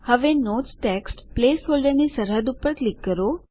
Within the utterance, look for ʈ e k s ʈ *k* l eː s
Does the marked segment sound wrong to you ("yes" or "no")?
yes